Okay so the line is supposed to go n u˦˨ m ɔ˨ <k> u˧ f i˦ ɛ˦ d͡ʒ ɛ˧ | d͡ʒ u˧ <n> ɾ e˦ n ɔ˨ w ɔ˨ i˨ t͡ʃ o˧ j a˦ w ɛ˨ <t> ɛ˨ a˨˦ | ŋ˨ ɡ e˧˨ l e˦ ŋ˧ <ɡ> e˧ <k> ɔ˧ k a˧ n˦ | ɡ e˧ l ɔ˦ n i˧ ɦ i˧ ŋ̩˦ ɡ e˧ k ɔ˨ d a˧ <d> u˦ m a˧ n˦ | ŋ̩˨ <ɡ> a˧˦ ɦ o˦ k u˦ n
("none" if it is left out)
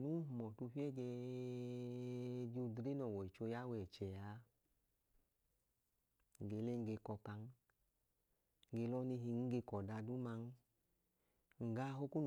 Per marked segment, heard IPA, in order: t, d, t͡ʃ, ɡ, k, d, ɡ

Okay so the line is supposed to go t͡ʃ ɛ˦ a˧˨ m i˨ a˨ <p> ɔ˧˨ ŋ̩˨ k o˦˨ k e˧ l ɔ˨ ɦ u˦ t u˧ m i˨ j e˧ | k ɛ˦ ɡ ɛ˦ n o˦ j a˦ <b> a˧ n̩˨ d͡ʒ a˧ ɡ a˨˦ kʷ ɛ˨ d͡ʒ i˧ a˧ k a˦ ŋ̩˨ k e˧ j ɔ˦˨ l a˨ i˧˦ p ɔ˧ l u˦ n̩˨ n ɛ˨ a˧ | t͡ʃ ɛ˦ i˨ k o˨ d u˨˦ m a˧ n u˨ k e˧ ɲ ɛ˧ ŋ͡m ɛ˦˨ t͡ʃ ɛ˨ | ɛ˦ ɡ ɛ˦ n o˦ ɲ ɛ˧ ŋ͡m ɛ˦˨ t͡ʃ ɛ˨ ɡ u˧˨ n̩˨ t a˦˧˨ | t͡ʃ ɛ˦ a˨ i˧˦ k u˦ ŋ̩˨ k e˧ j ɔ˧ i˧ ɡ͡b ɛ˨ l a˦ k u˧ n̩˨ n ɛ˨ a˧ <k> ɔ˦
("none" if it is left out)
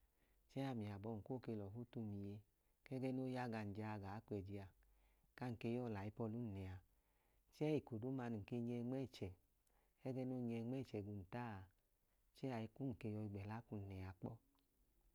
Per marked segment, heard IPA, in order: b, ɡ, k͡p

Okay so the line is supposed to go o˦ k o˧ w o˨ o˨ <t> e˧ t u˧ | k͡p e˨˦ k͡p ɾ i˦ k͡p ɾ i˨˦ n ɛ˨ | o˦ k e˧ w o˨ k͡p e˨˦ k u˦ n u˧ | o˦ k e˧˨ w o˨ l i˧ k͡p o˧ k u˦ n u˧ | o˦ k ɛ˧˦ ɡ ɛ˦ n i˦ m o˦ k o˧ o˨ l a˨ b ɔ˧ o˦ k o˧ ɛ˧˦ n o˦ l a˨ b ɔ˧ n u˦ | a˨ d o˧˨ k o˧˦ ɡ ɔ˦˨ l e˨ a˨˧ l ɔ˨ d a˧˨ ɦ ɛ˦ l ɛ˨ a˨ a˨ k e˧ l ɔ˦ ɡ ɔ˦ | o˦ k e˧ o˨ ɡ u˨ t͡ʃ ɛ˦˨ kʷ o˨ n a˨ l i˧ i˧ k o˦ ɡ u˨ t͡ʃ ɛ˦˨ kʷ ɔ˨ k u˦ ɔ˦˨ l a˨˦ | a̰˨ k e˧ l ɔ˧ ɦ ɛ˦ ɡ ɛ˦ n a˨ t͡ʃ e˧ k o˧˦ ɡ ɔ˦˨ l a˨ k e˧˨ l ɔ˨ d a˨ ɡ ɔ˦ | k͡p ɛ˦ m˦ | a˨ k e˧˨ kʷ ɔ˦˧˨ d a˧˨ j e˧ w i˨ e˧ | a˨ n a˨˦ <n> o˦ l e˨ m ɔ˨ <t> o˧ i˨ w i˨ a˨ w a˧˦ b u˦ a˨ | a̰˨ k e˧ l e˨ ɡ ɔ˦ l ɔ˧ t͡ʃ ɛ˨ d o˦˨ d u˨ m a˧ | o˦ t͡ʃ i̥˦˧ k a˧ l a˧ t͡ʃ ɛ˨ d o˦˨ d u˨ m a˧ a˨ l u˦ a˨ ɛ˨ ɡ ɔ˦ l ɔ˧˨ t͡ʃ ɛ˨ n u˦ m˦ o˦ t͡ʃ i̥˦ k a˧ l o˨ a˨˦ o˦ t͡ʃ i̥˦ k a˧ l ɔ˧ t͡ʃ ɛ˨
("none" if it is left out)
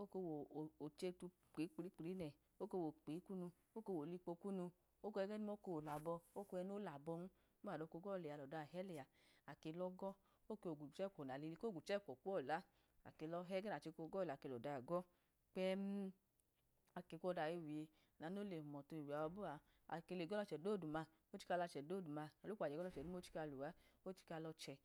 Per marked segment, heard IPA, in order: t͡ʃ, n, t

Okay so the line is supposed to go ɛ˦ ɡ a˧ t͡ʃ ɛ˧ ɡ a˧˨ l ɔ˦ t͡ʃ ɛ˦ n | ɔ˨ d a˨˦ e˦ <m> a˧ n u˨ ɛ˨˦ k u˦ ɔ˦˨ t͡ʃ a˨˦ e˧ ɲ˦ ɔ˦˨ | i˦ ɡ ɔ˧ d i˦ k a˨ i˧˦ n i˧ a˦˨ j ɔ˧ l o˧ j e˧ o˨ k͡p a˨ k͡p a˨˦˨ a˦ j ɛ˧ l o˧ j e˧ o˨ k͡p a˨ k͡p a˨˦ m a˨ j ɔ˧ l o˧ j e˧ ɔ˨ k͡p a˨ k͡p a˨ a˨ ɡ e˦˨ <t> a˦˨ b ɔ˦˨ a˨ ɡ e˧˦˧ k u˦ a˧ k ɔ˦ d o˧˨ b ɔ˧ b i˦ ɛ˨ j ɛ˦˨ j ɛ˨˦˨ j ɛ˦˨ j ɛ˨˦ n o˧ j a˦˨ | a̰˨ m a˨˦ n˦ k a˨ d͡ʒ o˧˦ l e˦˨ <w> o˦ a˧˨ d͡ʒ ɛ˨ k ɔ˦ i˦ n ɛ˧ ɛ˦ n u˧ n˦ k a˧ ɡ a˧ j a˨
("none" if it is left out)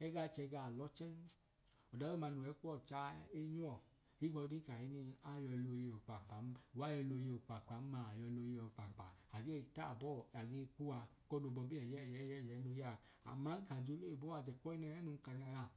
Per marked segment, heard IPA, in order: m, t, b

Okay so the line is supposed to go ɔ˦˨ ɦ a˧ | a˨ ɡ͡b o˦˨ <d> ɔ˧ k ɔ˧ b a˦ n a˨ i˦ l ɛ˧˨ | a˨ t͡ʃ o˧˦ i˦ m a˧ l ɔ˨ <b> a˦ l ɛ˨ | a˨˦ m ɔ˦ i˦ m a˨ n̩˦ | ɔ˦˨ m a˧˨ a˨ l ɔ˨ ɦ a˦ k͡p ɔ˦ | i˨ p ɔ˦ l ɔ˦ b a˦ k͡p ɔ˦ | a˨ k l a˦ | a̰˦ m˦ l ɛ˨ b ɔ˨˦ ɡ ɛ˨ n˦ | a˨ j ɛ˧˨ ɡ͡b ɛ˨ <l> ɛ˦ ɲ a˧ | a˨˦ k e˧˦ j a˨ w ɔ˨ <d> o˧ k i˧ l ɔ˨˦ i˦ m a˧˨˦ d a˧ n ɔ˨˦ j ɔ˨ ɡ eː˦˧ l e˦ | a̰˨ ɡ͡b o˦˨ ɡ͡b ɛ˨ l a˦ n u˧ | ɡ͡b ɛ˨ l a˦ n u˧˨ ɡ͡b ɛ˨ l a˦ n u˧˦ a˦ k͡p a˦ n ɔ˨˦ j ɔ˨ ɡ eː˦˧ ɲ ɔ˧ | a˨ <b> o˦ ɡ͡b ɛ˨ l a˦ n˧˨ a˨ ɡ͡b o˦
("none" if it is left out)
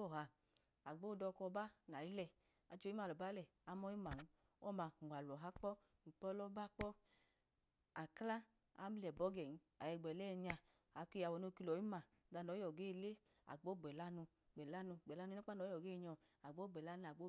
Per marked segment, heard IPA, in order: d, b, l, n, ɡ͡b

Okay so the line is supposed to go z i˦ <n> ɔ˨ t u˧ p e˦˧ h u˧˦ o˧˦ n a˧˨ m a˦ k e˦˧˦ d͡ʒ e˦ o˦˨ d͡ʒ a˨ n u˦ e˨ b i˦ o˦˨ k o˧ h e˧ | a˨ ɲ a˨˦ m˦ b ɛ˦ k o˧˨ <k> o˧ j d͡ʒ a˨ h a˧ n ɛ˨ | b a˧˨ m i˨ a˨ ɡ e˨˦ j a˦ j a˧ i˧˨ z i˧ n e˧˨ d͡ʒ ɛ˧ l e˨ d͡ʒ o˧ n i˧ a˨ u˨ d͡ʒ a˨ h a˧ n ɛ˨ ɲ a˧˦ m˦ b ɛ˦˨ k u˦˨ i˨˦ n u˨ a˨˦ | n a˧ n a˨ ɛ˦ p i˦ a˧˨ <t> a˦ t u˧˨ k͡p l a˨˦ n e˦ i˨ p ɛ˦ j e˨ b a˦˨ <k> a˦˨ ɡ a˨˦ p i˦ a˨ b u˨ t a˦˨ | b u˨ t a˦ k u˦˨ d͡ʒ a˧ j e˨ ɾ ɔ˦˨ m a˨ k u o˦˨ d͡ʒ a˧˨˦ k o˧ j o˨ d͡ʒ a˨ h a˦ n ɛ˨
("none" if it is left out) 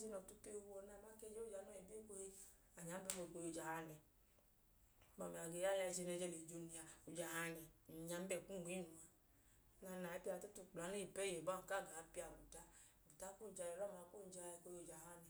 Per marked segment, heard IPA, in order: n, k, t, k

